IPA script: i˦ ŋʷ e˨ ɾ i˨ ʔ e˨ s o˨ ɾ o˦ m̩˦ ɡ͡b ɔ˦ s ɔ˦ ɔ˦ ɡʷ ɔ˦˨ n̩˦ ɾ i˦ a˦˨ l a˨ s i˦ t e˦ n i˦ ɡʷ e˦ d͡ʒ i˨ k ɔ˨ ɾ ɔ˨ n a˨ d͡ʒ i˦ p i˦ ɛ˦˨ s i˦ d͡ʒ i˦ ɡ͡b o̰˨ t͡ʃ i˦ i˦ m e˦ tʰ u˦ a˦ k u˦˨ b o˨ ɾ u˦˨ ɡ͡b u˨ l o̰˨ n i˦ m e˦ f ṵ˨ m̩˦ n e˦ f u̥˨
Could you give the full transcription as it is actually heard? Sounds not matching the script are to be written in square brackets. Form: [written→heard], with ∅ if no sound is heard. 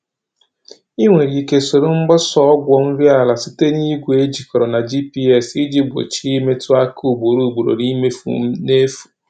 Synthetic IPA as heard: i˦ ŋʷ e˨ ɾ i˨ [ʔ→k] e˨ s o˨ ɾ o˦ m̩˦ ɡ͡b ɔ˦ s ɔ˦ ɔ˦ ɡʷ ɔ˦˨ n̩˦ ɾ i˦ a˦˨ l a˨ s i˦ t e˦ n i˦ ɡʷ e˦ d͡ʒ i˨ k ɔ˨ ɾ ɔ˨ n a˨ d͡ʒ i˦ p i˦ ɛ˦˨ s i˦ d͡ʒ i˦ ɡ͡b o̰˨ t͡ʃ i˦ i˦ m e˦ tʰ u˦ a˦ k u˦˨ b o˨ ɾ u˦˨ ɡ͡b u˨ [l→ɾ] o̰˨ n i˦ m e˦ f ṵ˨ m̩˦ n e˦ f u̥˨

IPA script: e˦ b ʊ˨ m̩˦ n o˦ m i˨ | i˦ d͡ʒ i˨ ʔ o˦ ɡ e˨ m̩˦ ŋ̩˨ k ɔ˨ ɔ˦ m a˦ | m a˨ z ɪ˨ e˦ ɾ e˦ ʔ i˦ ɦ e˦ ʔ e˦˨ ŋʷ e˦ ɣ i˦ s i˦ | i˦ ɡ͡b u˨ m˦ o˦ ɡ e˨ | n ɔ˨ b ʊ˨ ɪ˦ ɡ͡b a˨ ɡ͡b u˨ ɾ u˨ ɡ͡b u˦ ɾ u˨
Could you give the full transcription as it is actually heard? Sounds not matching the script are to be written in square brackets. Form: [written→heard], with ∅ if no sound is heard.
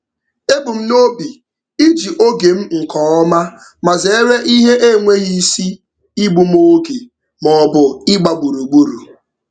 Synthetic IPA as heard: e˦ b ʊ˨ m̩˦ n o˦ [m→b] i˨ | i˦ d͡ʒ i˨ ʔ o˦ ɡ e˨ m̩˦ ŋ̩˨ k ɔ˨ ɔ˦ m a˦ | m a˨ z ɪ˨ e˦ ɾ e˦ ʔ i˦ ɦ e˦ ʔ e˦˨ ŋʷ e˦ ɣ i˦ s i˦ | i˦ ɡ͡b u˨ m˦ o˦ ɡ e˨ | [n→m] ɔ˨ b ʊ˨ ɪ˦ ɡ͡b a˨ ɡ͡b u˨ ɾ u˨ ɡ͡b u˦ ɾ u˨

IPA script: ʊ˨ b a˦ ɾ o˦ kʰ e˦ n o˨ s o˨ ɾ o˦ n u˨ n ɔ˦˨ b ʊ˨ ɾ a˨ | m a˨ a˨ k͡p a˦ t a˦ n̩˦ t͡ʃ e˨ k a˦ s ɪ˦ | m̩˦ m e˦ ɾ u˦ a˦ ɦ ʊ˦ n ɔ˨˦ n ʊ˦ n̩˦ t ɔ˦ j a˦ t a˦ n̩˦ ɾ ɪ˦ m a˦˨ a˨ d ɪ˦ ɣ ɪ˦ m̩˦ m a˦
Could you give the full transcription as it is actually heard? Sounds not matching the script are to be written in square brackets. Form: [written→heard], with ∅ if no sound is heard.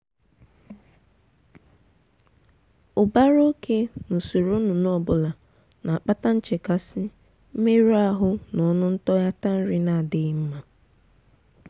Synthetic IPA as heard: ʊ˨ b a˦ ɾ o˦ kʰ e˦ n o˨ s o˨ ɾ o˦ n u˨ n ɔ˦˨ b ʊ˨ [ɾ→l] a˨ | [m→n] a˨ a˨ k͡p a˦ t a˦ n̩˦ t͡ʃ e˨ k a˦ s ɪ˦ | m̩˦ m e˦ ɾ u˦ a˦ ɦ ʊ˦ n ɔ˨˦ n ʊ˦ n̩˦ t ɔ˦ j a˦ t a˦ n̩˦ ɾ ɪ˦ [m→n] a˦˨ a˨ d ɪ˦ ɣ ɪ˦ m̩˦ m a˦

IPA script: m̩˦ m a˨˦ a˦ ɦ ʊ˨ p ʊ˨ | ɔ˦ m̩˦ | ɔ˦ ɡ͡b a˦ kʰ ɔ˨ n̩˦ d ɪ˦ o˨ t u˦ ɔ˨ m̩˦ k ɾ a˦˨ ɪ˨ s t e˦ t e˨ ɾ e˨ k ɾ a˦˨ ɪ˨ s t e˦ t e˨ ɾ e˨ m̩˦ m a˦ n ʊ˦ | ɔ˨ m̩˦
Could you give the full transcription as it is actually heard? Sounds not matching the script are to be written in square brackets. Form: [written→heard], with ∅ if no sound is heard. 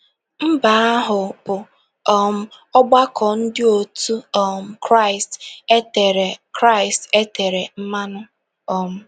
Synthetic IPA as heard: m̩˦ [m→b] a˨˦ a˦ ɦ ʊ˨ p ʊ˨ | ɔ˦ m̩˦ | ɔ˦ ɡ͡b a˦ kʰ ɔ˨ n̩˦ d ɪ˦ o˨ t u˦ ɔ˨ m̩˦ k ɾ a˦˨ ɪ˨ s t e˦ t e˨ ɾ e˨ k ɾ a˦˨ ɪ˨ s t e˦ t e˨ ɾ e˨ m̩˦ m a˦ n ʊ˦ | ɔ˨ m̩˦

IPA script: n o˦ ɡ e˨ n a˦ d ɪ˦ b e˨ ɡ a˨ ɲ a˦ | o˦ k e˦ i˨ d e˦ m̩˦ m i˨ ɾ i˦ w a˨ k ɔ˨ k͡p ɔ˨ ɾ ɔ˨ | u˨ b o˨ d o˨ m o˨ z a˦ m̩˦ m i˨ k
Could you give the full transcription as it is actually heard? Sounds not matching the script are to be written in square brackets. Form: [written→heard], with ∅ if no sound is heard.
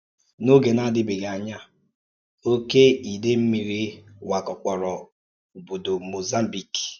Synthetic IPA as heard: n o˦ ɡ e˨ n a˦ d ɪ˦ b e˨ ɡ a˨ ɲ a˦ | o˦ k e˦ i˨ d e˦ m̩˦ m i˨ ɾ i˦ w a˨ k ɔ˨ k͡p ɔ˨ ɾ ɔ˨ | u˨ b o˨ d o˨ m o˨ z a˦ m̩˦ [m→b] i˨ k

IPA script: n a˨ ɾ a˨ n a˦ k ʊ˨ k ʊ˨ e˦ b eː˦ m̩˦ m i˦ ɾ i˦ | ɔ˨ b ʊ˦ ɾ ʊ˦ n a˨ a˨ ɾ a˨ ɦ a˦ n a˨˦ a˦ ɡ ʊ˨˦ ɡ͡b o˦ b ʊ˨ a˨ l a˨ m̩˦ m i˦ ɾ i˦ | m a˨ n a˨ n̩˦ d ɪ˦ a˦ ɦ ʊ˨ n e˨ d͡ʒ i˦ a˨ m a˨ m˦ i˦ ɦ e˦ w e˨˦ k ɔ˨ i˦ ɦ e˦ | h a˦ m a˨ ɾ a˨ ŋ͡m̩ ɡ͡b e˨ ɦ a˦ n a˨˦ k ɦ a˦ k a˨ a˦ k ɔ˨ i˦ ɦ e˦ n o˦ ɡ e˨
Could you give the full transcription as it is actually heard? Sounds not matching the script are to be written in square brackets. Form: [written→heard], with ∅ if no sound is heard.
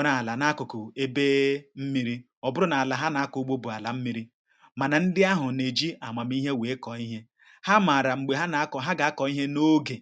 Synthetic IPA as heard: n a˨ [ɾ→l] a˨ n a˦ k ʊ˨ k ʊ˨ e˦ b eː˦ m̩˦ m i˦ ɾ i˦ | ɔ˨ b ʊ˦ ɾ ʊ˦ n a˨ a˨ [ɾ→l] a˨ ɦ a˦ n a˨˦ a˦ [ɡ→k] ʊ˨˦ ɡ͡b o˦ b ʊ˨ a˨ l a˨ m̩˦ m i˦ ɾ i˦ | m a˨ n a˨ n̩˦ d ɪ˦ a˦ ɦ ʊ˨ n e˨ d͡ʒ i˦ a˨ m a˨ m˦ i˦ ɦ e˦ w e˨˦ k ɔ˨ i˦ ɦ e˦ | h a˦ m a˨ ɾ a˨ ŋ͡m̩ ɡ͡b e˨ ɦ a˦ n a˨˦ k ɦ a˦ [k→ɡ] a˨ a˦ k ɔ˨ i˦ ɦ e˦ n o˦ ɡ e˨

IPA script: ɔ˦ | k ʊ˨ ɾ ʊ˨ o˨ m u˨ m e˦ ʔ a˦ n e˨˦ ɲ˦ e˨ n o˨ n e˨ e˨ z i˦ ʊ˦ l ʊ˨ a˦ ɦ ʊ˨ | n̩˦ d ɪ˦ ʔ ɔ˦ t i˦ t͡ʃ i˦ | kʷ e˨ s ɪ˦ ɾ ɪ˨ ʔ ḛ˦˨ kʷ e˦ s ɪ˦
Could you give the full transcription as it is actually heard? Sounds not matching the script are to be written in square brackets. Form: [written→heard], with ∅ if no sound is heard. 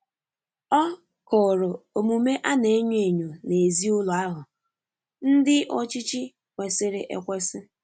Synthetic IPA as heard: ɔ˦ | k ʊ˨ ɾ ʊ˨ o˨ m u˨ m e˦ ʔ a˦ n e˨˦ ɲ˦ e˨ [n→ɲ] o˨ n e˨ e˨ z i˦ ʊ˦ l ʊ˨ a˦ ɦ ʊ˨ | n̩˦ d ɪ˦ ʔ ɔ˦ [t→t͡ʃ] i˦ t͡ʃ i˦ | kʷ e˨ s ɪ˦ ɾ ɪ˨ ʔ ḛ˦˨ kʷ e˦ s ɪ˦

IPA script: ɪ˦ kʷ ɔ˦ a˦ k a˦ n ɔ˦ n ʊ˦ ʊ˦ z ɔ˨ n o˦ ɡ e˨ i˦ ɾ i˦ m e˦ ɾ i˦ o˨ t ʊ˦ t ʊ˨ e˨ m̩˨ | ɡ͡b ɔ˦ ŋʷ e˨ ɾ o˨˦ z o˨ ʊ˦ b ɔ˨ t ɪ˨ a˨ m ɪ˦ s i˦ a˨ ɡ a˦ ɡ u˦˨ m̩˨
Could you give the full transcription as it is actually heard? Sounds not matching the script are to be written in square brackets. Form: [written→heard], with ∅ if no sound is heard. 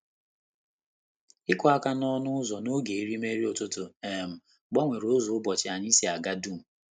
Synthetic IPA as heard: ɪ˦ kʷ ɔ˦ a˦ k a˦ n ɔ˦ n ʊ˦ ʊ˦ z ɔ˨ n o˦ ɡ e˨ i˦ ɾ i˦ m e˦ ɾ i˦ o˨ t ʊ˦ t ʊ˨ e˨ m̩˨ | ɡ͡b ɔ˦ ŋʷ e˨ ɾ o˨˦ z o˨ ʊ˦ b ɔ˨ [t→t͡ʃ] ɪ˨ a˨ [m→ɲ] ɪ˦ s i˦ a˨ ɡ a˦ [ɡ→d] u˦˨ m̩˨

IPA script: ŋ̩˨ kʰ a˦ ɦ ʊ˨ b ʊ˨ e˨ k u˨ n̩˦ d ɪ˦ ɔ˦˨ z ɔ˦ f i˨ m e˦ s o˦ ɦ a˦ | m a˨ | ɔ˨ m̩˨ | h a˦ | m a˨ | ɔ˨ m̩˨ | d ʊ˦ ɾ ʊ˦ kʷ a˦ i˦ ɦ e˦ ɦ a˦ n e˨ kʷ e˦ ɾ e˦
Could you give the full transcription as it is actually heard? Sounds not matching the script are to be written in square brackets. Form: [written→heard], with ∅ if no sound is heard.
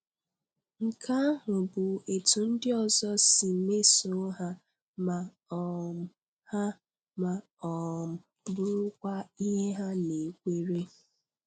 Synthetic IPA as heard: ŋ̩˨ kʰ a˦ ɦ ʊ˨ b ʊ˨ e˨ [k→t] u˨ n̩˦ d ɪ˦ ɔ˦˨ z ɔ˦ [f→s] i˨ m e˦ s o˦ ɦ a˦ | m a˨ | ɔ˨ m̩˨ | h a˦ | m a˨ | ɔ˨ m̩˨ | [d→b] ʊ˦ ɾ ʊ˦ kʷ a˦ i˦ ɦ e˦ ɦ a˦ n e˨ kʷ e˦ ɾ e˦

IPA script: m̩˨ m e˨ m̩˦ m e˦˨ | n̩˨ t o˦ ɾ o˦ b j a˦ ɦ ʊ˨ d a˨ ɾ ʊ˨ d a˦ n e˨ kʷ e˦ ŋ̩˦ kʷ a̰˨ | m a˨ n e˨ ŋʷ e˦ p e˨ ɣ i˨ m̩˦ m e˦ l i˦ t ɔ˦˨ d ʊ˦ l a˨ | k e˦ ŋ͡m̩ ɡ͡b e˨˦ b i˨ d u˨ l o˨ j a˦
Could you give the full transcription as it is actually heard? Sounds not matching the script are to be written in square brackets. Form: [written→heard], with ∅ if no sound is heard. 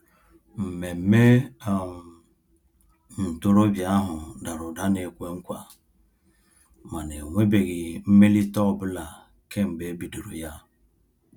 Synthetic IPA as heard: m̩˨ m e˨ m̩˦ m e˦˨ | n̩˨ t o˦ ɾ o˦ b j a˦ ɦ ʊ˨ d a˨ ɾ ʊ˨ d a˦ n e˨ kʷ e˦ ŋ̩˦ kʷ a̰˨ | m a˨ n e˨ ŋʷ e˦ [p→b] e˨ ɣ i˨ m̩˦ m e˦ l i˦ t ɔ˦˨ [d→b] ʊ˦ l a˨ | k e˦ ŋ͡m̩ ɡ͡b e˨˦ b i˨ d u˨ [l→ɾ] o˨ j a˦

